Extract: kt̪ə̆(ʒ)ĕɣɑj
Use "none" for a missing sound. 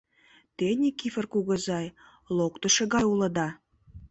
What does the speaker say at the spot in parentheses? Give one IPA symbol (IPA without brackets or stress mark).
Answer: ʃ